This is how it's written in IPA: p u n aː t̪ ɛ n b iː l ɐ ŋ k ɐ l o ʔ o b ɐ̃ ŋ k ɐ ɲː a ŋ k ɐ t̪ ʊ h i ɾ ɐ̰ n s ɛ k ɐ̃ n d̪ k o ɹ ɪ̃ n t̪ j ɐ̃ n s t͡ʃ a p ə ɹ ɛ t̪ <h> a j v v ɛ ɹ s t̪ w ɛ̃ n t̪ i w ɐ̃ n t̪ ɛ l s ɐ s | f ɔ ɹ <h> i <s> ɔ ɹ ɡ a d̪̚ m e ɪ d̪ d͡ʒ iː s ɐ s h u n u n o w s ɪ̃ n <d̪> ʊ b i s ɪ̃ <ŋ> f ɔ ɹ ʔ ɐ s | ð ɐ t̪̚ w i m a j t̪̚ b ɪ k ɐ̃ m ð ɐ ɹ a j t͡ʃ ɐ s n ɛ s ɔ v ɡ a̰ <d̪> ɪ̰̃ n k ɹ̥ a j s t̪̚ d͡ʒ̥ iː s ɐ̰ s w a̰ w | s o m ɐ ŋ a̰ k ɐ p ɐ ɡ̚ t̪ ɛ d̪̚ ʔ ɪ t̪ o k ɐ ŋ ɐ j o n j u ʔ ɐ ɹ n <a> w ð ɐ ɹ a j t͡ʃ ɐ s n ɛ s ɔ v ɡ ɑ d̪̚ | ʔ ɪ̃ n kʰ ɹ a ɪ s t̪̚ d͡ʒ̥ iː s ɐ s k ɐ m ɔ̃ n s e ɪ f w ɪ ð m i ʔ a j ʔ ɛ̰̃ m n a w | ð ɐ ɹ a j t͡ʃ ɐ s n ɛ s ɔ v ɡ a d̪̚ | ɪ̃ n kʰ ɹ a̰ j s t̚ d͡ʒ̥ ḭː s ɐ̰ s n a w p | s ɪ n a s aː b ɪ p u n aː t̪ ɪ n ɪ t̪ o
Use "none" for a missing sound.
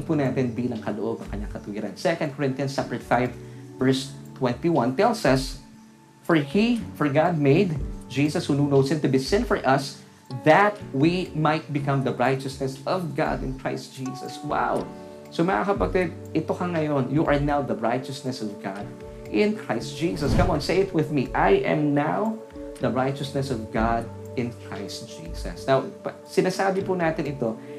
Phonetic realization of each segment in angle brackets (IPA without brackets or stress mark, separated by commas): f, h, f, t̪, n, d̪, a